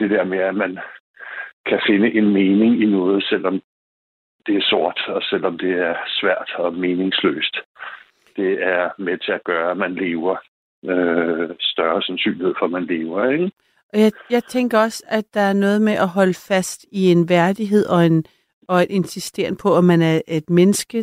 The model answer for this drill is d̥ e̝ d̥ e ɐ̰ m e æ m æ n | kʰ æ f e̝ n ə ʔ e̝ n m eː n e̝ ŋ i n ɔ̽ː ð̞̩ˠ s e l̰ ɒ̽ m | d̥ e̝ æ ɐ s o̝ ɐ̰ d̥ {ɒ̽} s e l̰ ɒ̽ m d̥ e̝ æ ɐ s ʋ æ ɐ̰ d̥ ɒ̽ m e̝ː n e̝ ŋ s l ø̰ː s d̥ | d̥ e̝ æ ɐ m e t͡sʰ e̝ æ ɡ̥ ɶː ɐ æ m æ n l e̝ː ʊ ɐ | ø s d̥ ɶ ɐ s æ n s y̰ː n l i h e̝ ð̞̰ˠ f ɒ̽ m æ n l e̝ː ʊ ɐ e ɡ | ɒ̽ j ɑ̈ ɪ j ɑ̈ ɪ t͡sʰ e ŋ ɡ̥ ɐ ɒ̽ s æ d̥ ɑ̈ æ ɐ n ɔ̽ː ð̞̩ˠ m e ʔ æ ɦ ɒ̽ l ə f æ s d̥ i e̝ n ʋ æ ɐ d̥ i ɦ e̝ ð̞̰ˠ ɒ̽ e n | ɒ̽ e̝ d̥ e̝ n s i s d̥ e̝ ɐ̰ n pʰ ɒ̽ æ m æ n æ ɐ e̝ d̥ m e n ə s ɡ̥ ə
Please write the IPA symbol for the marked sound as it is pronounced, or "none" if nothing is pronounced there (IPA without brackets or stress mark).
ɒ̽